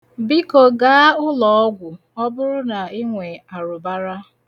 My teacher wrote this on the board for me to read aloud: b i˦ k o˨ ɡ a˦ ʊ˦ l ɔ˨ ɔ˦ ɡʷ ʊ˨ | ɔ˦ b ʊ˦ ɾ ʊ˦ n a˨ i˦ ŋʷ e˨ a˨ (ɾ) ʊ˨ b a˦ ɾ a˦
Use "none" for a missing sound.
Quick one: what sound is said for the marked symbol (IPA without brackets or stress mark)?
ɾ